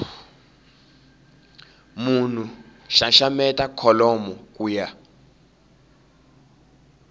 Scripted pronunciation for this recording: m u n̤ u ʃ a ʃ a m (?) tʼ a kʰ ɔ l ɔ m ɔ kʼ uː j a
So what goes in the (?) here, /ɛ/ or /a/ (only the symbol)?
ɛ